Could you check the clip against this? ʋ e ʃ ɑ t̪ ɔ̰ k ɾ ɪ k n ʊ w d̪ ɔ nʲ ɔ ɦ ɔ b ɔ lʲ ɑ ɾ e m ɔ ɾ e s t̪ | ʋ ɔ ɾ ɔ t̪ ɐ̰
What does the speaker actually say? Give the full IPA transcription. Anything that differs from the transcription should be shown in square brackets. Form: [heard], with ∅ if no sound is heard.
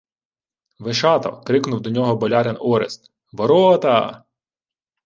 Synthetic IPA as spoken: ʋ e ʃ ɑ t̪ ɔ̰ k ɾ ɪ k n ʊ w d̪ ɔ nʲ ɔ ɦ ɔ b ɔ lʲ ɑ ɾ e [n] ɔ ɾ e s t̪ | ʋ ɔ ɾ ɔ t̪ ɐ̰